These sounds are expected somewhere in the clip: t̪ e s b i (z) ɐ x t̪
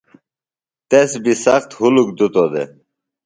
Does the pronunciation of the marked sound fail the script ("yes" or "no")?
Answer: yes